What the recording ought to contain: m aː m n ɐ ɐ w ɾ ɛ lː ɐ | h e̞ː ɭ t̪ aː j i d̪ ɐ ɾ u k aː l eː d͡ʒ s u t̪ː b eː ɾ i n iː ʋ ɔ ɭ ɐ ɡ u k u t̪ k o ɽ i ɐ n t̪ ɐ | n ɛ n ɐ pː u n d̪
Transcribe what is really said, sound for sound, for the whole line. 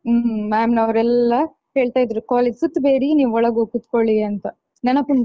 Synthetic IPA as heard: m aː m n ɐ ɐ ʋ ɾ ɛ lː ɐ | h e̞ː ɭ t̪ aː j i d̪ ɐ ɾ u k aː l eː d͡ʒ s u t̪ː b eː ɾ i n iː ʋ ɔ ɭ ɐ ɡ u k u t̪ k o ɭ i ɐ n t̪ ɐ | n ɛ n ɐ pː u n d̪